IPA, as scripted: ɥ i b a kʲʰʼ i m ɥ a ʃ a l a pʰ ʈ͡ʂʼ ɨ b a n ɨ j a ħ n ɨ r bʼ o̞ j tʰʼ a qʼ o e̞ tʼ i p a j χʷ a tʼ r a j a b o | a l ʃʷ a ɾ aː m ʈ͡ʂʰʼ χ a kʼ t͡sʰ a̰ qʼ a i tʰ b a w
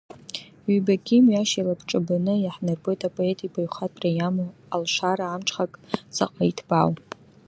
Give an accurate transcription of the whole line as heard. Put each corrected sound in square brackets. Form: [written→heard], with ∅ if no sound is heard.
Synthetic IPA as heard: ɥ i b a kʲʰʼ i m ɥ a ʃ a l a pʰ ʈ͡ʂʼ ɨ b a n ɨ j a ħ n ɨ r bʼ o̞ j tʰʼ a [qʼ→pʼ] o e̞ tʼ i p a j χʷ a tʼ r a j a [b→m] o | a l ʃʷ a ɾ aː m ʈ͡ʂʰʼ χ a kʼ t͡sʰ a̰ qʼ a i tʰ b a w